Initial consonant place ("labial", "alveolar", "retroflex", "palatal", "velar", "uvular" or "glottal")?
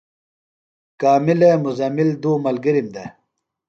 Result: velar